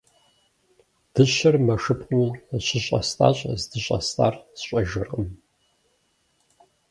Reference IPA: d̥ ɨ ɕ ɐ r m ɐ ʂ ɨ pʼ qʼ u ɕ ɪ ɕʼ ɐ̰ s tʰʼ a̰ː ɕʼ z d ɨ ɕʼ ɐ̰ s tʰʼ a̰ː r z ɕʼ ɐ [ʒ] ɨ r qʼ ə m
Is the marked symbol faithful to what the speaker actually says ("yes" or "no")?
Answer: yes